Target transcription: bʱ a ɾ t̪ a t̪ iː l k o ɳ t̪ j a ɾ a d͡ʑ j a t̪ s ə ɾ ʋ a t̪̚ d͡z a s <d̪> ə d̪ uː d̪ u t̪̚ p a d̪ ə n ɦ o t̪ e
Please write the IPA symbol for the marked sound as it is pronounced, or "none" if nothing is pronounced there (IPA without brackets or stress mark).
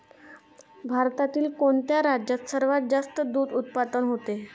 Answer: t̪